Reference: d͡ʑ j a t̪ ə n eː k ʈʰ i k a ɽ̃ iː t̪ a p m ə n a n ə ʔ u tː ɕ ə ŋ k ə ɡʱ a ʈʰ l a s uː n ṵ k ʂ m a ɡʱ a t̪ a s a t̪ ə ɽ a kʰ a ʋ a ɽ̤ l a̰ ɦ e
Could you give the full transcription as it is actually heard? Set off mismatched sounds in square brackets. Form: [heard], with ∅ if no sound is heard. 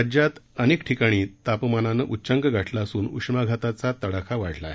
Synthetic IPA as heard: d͡ʑ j a t̪ ə n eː k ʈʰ i k a ɽ̃ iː t̪ a p m [a] n a n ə ʔ u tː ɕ ə ŋ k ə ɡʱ a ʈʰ l a s uː n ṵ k ʂ m a ɡʱ a t̪ a [t͡s] a t̪ ə ɽ a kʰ a ʋ a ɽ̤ l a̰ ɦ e